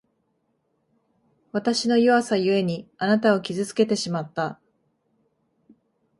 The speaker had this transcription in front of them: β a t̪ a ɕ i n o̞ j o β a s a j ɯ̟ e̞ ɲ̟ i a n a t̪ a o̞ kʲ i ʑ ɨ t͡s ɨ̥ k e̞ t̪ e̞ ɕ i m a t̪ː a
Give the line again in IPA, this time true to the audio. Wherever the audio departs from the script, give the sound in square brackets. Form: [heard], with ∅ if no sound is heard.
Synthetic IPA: β a t̪ a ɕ i n o̞ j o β a s a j ɯ̟ e̞ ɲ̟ i a n a t̪ a o̞ kʲ i [z] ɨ t͡s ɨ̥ k e̞ t̪ e̞ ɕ i m a t̪ː a